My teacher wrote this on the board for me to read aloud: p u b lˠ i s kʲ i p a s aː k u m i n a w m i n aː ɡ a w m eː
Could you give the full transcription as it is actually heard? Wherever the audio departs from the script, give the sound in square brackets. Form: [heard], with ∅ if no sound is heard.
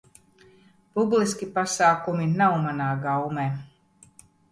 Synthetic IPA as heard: p u b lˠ i s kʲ i p a s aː k u m i n a w m [a] n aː ɡ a w m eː